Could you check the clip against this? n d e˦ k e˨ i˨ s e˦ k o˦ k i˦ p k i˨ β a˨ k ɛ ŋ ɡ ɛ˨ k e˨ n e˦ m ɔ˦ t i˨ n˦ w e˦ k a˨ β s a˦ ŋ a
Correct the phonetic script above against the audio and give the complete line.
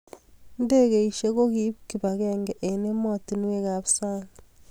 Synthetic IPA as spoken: n d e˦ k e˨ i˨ ʃ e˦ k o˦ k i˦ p k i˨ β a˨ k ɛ ŋ ɡ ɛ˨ ʔ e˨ n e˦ m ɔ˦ t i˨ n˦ w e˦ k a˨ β s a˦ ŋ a